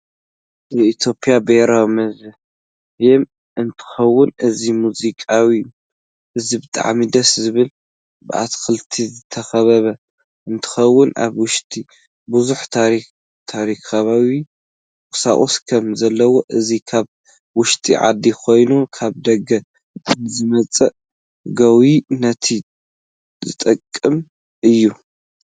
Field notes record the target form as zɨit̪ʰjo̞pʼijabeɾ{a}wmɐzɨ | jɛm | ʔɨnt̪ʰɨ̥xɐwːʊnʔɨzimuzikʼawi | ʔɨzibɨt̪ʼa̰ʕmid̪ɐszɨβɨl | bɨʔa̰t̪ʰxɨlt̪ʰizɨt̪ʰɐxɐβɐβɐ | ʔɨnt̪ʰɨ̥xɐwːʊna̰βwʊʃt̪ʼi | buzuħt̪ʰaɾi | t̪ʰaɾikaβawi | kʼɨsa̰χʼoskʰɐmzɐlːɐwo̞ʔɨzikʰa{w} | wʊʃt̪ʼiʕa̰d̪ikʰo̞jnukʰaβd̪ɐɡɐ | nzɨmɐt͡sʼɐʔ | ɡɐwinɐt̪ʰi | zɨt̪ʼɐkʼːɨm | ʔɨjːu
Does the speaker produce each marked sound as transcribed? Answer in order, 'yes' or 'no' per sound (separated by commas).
yes, no